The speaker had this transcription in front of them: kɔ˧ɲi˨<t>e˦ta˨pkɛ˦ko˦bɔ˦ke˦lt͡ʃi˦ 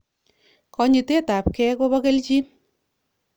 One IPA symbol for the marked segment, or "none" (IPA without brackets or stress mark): t